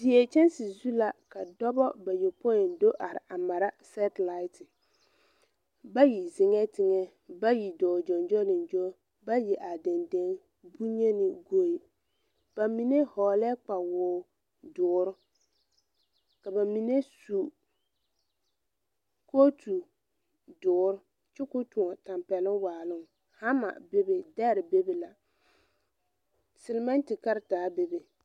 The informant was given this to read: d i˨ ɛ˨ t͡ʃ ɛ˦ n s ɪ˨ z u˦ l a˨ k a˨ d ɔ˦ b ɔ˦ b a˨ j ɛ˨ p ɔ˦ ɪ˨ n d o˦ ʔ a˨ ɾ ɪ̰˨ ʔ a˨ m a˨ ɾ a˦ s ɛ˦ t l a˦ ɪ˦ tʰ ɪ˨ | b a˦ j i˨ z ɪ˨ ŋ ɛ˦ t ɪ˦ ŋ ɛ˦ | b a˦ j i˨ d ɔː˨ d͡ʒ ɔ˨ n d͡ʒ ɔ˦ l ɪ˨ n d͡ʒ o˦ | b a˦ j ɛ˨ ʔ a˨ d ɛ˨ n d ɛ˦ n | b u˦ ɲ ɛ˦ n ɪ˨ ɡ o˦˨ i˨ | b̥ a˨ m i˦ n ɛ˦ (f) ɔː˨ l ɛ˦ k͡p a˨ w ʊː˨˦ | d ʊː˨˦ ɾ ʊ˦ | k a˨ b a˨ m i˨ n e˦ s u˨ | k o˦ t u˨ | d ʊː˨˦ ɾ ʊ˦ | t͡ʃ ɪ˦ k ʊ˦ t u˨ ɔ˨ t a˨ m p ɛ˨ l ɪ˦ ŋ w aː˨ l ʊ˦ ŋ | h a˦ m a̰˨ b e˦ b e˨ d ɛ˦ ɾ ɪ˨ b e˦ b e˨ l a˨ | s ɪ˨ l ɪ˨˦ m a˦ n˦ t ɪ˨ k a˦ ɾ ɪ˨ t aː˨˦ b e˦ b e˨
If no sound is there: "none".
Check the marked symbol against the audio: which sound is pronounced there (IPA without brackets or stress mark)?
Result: h